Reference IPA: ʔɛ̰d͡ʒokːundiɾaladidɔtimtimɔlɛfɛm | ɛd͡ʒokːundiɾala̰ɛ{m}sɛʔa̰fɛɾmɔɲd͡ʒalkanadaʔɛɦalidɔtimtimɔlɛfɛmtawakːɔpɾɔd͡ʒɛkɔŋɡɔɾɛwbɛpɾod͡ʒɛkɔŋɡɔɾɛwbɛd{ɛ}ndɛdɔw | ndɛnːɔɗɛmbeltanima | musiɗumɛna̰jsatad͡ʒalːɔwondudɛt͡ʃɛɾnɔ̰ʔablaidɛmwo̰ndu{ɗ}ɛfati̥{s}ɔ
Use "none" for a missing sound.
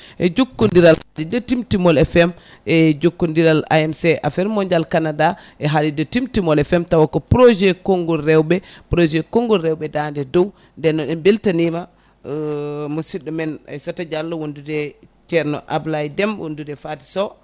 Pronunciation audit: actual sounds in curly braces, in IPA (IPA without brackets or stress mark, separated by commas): m, a, d, s